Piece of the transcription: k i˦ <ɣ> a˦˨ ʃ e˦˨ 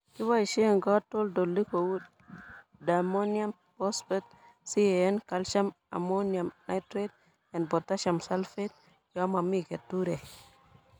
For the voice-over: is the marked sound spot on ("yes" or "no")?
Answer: no